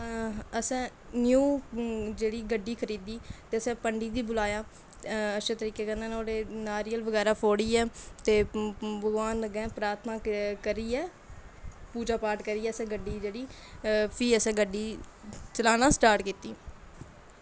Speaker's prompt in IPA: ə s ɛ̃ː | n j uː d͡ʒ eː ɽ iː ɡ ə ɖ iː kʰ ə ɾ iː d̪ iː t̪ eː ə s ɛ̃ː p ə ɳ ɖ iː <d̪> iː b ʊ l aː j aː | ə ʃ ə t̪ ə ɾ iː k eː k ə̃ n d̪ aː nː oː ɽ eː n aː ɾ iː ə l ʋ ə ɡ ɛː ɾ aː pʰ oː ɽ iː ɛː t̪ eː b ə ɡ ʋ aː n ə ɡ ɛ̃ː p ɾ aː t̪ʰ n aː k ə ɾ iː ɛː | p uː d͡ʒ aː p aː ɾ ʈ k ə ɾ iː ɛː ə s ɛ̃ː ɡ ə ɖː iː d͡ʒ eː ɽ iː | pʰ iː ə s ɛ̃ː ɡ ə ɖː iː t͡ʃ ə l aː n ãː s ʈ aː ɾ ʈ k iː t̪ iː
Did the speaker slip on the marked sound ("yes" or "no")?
no